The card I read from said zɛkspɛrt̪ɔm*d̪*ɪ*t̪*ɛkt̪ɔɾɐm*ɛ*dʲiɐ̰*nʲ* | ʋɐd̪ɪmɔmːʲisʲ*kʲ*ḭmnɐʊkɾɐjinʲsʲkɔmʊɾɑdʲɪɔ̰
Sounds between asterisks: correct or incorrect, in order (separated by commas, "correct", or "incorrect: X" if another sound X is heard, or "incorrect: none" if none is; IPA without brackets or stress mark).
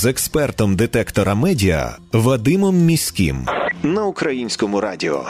correct, correct, correct, incorrect: none, correct